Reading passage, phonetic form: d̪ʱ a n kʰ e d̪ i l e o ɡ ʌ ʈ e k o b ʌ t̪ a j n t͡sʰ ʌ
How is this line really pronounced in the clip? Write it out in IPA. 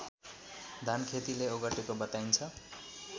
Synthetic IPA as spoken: d̪ʱ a n kʰ e t̪ i l e o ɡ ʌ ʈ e k o b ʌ t̪ a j n t͡sʰ ʌ